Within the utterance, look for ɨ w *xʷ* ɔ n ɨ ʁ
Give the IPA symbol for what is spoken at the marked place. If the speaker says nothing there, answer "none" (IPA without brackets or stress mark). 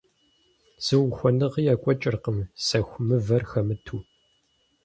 xʷ